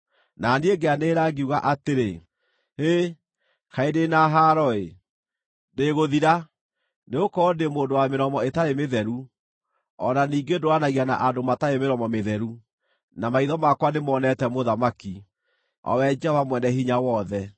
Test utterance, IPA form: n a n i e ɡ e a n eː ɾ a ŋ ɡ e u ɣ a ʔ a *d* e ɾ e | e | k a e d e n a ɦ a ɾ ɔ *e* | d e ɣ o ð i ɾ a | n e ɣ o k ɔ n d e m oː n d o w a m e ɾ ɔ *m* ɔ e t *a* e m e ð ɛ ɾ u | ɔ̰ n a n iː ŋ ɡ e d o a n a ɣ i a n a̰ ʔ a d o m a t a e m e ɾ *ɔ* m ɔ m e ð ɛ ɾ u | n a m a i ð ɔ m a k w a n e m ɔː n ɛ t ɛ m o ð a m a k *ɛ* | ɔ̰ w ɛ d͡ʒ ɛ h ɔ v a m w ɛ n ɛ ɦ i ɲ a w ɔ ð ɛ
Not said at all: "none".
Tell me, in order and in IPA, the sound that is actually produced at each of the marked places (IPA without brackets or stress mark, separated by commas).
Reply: t, e, m, a, ɔ, i